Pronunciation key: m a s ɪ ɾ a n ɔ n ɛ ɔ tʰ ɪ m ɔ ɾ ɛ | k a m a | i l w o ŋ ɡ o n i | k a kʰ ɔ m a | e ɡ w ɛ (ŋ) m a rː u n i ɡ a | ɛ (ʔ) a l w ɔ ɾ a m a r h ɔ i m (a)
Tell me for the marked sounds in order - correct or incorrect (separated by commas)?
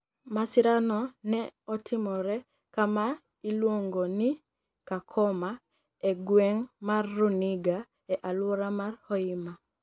correct, correct, correct